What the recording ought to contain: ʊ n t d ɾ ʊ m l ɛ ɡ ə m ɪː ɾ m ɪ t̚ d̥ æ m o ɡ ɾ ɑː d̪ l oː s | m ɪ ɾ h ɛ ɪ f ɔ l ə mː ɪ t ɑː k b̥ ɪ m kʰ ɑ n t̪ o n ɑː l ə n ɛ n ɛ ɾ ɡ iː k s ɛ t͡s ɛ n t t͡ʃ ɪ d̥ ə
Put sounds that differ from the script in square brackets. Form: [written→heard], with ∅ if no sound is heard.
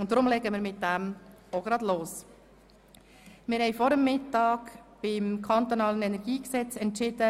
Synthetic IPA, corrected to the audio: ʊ n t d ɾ ʊ m l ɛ ɡ ə m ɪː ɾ m ɪ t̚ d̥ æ m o ɡ ɾ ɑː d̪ l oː s | m ɪ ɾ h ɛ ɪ f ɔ [l→ɾ] ə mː ɪ t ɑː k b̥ ɪ m kʰ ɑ n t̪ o n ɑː l ə n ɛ n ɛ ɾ ɡ iː k s ɛ t͡s ɛ n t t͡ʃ ɪ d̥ ə